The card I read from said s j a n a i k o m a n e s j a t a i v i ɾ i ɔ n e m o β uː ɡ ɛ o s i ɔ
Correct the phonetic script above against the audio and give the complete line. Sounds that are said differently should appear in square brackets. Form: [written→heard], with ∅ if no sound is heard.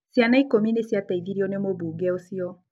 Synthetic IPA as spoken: s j a n a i k o m [a→i] n e s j a t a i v i ɾ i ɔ n e m o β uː ɡ ɛ o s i ɔ